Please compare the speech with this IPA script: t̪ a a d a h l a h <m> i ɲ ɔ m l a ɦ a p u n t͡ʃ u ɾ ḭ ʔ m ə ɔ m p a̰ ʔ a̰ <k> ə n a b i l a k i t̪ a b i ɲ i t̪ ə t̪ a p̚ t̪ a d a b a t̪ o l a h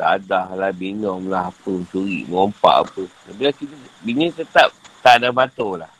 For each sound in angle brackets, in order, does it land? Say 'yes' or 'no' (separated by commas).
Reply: no, no